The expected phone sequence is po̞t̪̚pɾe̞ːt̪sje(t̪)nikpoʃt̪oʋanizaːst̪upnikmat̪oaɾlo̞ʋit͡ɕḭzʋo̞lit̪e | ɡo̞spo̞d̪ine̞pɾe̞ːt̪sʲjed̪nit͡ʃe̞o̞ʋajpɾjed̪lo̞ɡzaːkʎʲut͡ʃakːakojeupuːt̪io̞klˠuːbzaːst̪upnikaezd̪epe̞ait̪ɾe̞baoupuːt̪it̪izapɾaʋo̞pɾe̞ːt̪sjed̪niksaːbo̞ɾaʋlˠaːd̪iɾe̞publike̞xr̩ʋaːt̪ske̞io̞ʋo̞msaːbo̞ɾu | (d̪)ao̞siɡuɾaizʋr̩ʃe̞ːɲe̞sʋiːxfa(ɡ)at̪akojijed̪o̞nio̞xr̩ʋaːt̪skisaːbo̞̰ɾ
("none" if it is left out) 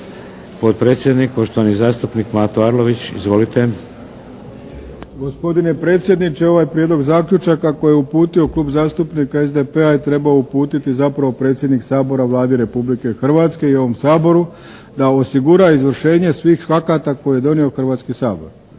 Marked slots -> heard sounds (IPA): d̪, d̪, k

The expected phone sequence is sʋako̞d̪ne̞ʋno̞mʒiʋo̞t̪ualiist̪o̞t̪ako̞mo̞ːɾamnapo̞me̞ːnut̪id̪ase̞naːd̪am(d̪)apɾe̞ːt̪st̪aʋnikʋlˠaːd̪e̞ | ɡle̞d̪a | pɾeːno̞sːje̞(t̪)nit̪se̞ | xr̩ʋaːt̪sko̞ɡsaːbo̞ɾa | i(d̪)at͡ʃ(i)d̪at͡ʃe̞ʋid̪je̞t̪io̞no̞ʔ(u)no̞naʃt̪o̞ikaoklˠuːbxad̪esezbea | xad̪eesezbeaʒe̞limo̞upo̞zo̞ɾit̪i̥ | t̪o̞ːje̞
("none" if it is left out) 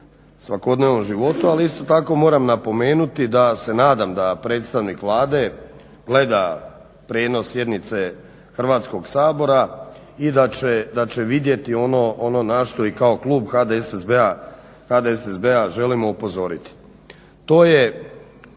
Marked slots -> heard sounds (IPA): d̪, d̪, d̪, e, o

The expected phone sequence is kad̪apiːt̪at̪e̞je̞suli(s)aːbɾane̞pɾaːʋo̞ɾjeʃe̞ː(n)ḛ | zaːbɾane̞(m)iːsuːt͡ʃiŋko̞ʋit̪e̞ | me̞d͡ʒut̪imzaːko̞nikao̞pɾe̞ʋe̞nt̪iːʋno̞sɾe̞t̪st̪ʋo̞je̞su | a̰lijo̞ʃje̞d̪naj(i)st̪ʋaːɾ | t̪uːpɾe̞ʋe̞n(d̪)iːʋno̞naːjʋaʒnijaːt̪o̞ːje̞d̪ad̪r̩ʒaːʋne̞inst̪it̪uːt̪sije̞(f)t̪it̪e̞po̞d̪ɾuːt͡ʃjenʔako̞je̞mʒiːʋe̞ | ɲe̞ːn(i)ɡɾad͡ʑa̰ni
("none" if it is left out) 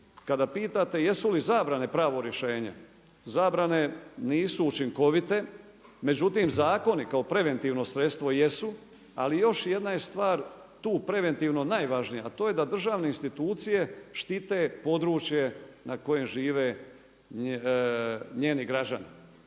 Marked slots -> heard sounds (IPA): z, ɲ, n, e, t̪, ʃ, i

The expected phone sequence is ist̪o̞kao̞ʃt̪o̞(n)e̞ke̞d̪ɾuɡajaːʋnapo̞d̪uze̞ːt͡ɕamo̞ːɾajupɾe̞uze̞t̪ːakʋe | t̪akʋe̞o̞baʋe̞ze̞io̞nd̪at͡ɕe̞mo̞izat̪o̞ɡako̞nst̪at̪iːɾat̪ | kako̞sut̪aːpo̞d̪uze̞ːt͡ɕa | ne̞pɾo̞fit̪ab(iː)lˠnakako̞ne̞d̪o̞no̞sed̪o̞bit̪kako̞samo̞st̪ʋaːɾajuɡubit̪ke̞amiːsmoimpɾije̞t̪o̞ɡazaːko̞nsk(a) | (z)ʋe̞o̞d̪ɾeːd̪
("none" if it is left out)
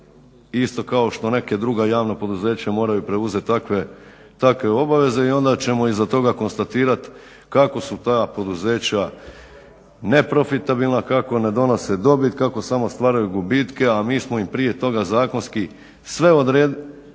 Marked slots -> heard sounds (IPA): n, i, i, s

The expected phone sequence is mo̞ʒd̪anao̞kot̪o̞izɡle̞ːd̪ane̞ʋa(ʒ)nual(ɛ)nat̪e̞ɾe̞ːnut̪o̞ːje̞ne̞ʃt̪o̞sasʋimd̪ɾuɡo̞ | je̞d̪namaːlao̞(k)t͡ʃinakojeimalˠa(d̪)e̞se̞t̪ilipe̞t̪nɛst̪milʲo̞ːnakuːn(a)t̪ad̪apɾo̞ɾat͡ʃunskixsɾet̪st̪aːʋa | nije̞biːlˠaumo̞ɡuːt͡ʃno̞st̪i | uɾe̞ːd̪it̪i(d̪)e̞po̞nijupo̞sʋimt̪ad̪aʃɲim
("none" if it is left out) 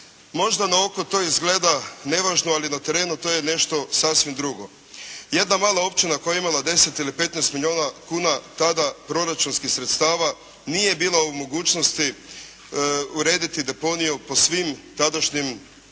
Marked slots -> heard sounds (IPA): ʒ, i, p, d̪, a, d̪

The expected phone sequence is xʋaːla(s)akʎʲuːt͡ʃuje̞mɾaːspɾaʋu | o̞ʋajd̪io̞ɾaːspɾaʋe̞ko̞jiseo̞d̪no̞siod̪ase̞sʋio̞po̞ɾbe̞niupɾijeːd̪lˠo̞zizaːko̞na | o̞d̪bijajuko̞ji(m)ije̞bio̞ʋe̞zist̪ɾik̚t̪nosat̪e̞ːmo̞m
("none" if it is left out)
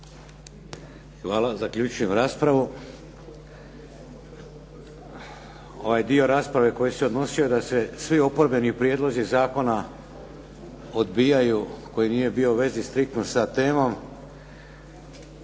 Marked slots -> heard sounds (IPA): z, n

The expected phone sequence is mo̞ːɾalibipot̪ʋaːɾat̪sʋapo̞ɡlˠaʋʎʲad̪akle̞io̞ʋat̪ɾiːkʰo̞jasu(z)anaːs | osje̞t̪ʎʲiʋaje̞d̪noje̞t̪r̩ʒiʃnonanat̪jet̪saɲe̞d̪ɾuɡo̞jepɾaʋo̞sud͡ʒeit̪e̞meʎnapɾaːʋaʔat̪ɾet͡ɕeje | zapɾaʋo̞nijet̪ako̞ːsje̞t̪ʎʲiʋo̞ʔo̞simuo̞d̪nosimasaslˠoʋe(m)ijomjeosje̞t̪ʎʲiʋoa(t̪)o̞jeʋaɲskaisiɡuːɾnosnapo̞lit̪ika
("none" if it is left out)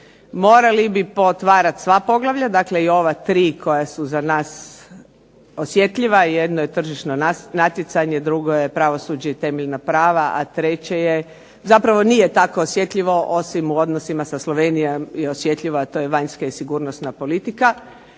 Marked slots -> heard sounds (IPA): z, n, t̪

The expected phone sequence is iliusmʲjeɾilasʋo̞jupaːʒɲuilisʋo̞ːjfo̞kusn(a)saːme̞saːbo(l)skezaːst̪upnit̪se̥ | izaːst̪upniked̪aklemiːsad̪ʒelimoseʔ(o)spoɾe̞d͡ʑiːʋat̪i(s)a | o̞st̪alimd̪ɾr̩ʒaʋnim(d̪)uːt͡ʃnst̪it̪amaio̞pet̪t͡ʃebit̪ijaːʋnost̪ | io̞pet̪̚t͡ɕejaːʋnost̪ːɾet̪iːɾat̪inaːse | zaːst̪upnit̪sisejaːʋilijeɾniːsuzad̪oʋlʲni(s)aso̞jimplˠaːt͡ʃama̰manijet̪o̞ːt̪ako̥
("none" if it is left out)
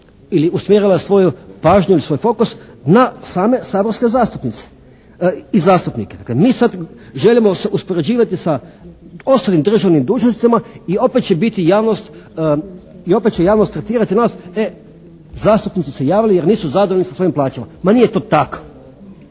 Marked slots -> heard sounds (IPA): a, ɾ, u, s, d̪, s

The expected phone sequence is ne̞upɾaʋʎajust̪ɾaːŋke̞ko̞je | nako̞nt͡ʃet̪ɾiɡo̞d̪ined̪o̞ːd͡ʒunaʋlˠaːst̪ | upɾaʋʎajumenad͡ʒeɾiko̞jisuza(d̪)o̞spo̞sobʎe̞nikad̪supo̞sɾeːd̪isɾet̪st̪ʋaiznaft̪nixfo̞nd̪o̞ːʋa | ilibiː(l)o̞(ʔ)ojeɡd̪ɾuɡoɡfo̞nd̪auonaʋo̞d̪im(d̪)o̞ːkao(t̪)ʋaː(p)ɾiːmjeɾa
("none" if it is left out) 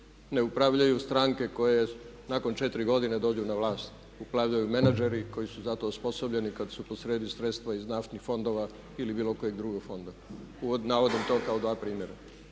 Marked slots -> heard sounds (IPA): t̪, l, k, t̪, d̪, p

